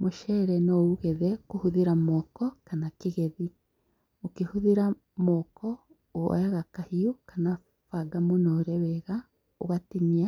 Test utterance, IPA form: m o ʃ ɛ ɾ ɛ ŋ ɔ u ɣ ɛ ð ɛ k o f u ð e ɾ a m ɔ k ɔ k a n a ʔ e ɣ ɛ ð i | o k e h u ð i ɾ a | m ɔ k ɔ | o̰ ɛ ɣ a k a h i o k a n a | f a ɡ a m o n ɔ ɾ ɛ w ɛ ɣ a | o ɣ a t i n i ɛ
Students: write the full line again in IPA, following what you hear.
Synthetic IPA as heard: m o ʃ ɛ ɾ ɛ n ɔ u ɣ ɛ ð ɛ k o h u ð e ɾ a m ɔ k ɔ k a n a k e ɣ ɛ ð i | o k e h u ð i ɾ a | m ɔ k ɔ | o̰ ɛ ɣ a k a h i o k a n a | f a ɡ a m o n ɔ ɾ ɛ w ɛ ɣ a | o ɣ a t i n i a